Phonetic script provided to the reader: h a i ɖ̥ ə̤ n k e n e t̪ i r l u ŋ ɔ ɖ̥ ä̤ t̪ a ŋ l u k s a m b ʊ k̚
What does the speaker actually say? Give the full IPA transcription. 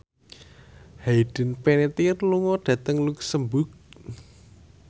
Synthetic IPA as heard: h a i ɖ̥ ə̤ n p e n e t̪ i r l u ŋ ɔ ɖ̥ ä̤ t̪ ə ŋ l u k s ə m b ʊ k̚